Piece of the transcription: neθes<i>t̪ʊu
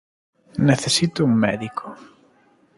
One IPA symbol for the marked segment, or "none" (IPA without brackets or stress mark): i